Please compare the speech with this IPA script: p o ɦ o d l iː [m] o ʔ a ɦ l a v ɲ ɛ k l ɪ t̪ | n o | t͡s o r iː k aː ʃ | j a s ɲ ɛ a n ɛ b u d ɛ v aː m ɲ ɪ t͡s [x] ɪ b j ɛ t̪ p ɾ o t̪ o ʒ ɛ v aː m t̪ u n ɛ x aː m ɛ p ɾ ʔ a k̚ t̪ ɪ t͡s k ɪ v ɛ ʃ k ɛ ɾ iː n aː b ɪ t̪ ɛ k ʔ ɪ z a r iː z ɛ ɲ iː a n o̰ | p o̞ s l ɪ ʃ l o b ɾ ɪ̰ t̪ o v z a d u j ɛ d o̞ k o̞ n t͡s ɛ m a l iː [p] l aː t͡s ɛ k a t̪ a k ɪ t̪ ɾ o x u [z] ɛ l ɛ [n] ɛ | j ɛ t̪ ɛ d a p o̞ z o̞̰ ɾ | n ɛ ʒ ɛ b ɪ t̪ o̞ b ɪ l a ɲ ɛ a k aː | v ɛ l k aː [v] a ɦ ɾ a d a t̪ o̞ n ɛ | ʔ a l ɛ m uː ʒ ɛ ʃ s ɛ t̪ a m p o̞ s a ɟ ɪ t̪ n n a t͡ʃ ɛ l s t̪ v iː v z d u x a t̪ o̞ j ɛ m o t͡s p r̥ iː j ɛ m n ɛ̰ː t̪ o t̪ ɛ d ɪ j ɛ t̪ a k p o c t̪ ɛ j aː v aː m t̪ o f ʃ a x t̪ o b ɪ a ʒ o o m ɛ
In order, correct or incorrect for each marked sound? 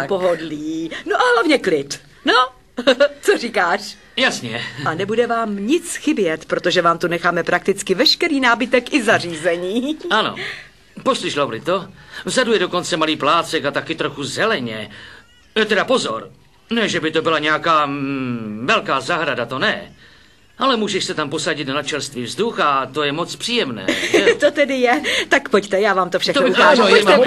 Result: incorrect, correct, correct, correct, incorrect, incorrect

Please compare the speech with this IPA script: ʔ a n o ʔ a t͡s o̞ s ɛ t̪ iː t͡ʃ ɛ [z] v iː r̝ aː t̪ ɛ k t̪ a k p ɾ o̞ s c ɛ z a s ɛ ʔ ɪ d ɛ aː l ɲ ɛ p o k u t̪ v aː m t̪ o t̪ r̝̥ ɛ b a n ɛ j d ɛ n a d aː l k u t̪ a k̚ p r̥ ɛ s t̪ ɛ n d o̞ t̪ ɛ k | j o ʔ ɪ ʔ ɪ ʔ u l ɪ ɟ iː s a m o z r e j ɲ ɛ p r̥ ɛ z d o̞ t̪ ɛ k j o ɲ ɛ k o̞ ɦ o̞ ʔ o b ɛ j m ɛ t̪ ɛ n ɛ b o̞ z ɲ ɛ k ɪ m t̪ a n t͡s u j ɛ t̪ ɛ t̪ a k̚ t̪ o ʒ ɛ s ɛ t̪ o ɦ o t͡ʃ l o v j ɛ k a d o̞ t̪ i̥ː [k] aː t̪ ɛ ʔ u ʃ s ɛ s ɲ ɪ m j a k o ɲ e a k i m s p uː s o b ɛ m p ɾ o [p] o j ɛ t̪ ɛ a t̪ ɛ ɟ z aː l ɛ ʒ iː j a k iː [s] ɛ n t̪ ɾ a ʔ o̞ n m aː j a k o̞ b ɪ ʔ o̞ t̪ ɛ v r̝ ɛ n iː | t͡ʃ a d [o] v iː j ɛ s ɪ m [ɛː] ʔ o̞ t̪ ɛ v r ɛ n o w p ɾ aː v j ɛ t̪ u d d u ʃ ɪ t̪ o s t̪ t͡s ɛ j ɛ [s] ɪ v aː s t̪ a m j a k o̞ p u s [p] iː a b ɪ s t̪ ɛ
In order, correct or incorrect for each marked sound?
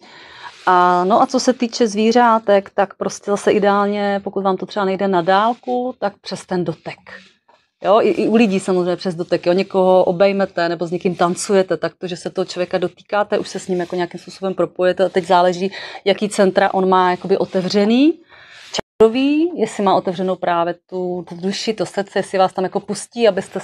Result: correct, correct, correct, incorrect, correct, incorrect, correct, incorrect

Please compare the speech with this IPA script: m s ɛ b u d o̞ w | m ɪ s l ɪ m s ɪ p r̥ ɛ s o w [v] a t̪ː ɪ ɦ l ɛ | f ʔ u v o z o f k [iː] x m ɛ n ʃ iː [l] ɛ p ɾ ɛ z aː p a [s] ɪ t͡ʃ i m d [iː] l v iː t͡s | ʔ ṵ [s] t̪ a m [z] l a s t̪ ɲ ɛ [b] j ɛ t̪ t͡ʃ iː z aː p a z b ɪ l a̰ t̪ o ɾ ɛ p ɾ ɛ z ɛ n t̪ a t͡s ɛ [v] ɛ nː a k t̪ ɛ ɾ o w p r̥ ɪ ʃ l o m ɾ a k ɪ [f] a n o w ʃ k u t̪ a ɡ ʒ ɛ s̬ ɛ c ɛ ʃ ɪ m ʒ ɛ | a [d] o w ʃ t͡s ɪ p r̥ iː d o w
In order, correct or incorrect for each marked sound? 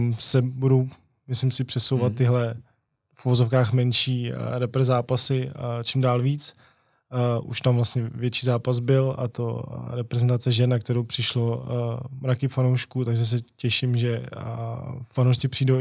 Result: correct, incorrect, incorrect, correct, incorrect, incorrect, incorrect, incorrect, incorrect, correct, incorrect

